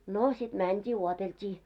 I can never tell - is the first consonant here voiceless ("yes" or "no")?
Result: no